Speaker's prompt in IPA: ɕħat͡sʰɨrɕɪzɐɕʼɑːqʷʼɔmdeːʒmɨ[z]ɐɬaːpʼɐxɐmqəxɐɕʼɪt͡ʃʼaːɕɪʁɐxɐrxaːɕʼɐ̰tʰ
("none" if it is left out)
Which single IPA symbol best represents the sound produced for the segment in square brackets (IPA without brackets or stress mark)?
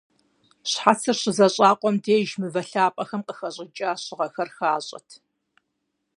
v